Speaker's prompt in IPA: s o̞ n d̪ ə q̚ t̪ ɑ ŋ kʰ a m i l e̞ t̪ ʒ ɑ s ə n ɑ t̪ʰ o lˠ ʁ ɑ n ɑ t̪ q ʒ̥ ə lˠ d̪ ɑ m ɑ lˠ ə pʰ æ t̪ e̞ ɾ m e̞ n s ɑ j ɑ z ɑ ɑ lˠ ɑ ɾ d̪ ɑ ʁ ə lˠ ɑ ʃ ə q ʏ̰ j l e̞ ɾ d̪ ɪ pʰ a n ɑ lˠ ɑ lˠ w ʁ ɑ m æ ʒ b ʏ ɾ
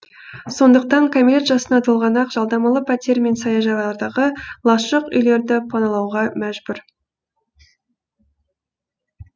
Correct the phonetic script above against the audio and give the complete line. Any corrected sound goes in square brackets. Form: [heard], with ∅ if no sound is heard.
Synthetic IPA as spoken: s o̞ n d̪ ə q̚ t̪ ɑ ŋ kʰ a m i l e̞ t̪ ʒ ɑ s ə n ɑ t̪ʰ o lˠ ʁ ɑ n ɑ [∅] q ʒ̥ [ɑ] lˠ d̪ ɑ m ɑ lˠ ə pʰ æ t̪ e̞ ɾ m e̞ n s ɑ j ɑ [ʒ] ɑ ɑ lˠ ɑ ɾ d̪ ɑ ʁ ə lˠ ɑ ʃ ə q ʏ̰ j l e̞ ɾ d̪ ɪ pʰ [ɑ] n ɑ lˠ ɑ [∅] w ʁ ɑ m æ ʒ b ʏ ɾ

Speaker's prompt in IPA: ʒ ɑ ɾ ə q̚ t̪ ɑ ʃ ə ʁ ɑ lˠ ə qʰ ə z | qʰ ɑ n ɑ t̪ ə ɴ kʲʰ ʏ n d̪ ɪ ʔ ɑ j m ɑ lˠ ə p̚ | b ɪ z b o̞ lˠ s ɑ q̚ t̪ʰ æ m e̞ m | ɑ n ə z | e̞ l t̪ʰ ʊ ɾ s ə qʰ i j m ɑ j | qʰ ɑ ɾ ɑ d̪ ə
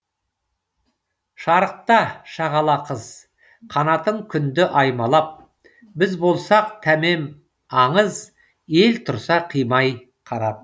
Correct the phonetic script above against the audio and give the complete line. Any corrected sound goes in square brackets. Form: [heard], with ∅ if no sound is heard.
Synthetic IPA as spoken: [ʃ] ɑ ɾ ə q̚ t̪ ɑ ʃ [ɑ] ʁ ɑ lˠ [ɑ] qʰ ə z | qʰ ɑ n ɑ t̪ ə ɴ kʲʰ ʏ n d̪ ɪ ʔ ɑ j m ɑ lˠ [ɑ] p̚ | b ɪ z b o̞ lˠ s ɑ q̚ t̪ʰ æ m e̞ m | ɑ [ɴ] ə z | e̞ l t̪ʰ ʊ ɾ s [ɑ] qʰ i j m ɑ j | qʰ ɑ ɾ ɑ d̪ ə

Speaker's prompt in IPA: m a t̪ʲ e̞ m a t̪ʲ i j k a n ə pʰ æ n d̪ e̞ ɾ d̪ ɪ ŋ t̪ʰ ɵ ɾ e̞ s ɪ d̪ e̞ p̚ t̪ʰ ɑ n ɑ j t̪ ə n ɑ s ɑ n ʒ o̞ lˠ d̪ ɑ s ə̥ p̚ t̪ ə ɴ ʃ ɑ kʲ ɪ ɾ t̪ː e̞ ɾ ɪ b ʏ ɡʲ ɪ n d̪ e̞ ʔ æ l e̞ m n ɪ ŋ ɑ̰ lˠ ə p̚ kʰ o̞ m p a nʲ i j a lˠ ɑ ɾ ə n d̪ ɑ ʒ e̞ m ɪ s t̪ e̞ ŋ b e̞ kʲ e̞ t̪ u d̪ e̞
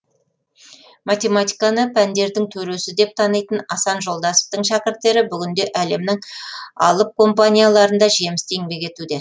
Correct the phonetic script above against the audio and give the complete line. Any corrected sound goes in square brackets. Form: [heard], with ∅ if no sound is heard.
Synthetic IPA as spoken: m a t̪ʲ e̞ m a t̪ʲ i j k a n ə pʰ æ n d̪ e̞ ɾ d̪ ɪ ŋ t̪ʰ ɵ ɾ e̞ s ɪ d̪ e̞ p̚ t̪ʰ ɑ n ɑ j t̪ ə n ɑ s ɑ n ʒ o̞ lˠ d̪ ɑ s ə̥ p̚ t̪ ə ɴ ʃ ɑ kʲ ɪ ɾ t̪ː e̞ ɾ ɪ b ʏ ɡʲ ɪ n d̪ e̞ ʔ æ l e̞ m n ɪ ŋ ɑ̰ lˠ ə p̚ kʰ o̞ m p a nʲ i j a lˠ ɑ ɾ ə n d̪ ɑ ʒ e̞ m ɪ s t̪ e̞ ŋ b e̞ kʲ e̞ t̪ u d̪ e̞

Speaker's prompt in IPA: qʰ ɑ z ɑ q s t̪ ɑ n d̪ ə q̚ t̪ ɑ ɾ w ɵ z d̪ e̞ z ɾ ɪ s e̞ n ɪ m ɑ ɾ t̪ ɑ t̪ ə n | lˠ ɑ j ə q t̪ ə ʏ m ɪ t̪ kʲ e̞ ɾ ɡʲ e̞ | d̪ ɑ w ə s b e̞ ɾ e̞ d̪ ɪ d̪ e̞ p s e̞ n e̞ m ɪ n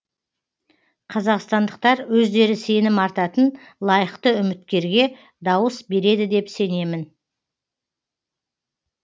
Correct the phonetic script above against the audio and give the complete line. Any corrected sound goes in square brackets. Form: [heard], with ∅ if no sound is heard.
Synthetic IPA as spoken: qʰ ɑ z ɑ q s t̪ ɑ n d̪ ə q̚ t̪ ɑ ɾ w ɵ z d̪ e̞ [∅] ɾ ɪ s e̞ n ɪ m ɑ ɾ t̪ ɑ t̪ ə n | lˠ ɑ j ə q t̪ ə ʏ m ɪ t̪ kʲ e̞ ɾ ɡʲ e̞ | d̪ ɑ w ə s b e̞ ɾ e̞ d̪ ɪ d̪ e̞ p s e̞ n e̞ m ɪ n

